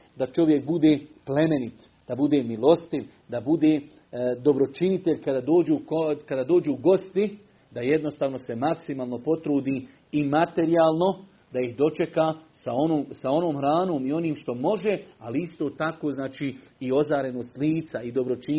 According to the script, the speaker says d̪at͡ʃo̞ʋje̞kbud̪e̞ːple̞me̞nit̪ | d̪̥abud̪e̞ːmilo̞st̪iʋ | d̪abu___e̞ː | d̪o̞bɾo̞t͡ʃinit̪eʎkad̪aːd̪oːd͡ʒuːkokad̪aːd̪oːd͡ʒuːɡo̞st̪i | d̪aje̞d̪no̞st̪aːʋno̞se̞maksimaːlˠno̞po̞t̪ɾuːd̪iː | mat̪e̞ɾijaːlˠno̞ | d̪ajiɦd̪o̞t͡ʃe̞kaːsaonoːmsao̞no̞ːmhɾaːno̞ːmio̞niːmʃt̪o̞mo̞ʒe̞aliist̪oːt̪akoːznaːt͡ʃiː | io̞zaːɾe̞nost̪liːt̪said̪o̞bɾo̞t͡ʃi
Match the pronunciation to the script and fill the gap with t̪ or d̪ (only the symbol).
d̪